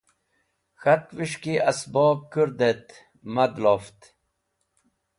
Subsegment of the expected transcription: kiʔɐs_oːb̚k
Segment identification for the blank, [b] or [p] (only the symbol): b